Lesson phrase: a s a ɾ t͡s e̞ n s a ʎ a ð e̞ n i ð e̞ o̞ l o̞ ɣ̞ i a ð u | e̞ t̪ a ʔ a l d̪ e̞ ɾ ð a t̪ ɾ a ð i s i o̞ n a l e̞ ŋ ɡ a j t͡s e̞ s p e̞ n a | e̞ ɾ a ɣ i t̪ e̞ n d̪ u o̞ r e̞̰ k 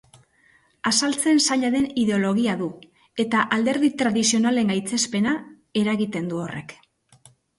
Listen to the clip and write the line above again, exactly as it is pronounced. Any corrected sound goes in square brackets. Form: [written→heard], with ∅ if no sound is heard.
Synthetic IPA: a s a [ɾ→l] t͡s e̞ n s a ʎ a ð e̞ n i ð e̞ o̞ l o̞ ɣ̞ i a ð u | e̞ t̪ a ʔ a l d̪ e̞ ɾ ð [a→i] t̪ ɾ a ð i s i o̞ n a l e̞ ŋ ɡ a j t͡s e̞ s p e̞ n a | e̞ ɾ a ɣ i t̪ e̞ n d̪ u o̞ r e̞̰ k